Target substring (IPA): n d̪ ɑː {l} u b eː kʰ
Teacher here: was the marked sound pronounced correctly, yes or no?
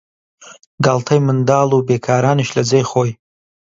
yes